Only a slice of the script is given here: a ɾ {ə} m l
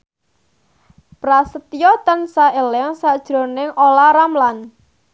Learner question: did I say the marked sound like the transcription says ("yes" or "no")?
no